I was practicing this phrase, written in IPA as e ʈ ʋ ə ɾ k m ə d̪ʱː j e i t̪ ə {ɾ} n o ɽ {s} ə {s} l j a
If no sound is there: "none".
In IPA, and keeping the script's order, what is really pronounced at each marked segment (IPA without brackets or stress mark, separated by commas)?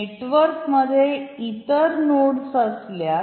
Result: ɾ, s, s